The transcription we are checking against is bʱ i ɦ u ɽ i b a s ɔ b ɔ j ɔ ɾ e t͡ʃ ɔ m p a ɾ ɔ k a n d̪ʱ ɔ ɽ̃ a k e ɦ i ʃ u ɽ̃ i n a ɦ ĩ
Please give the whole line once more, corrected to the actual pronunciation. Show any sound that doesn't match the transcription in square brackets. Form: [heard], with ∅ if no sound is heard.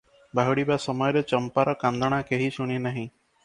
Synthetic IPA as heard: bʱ [a] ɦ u ɽ i b a s ɔ [m] ɔ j ɔ ɾ e t͡ʃ ɔ m p a ɾ ɔ k a n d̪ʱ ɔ ɽ̃ a k e ɦ i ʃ u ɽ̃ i n a ɦ ĩ